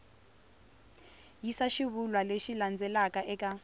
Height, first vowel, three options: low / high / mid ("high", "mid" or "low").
high